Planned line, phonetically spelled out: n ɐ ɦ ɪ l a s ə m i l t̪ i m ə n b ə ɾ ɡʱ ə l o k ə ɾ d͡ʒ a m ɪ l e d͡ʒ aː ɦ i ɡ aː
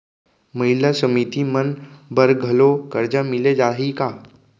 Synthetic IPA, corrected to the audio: m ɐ ɦ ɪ l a s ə m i t̪ i m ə n b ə ɾ ɡʱ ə l o k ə ɾ d͡ʒ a m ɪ l e d͡ʒ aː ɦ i k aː

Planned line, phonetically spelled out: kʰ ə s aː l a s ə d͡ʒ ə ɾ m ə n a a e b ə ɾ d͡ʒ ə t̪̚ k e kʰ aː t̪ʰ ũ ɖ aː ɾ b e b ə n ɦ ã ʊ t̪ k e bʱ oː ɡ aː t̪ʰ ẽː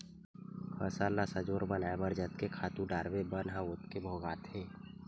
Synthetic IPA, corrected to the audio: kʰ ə s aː l a s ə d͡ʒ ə ɾ b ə n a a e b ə ɾ d͡ʒ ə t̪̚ k e kʰ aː t̪ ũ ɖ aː ɾ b e b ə n ɦ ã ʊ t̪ k e bʱ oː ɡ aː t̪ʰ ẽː

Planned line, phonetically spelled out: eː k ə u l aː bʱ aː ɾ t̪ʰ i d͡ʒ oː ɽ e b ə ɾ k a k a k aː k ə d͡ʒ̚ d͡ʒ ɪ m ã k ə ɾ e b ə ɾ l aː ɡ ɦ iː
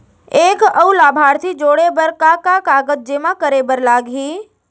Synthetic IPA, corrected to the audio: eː k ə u l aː bʱ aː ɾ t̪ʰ i d͡ʒ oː ɽ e b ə ɾ k a k a k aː ɡ ə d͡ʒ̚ d͡ʒ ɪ m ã k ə ɾ e b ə ɾ l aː ɡ ɦ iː

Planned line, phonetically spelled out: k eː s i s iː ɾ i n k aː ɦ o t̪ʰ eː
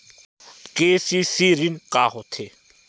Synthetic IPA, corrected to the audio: k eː s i s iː ɾ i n k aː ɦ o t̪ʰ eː

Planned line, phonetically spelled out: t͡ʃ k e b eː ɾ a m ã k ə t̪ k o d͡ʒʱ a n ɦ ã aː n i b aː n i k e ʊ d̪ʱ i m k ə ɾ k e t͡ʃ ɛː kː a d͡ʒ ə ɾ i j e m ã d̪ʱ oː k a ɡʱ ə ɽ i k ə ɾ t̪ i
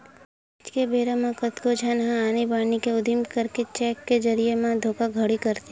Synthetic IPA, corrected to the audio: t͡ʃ k e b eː ɾ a m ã k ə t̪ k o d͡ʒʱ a n ɦ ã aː n i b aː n i k e ʊ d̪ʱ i m k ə ɾ k e t͡ʃ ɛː kː e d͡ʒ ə ɾ i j e m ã d̪ʱ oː k a ɡʱ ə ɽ i k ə ɾ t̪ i

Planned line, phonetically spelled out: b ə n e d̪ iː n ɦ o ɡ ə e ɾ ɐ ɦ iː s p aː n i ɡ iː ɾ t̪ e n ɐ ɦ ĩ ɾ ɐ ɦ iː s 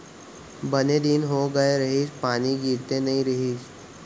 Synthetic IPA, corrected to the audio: b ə n e d̪ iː n ɦ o ɡ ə e ɾ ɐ ɦ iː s p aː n i ɡ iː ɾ t̪ e n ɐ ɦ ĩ ɾ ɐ ɦ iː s

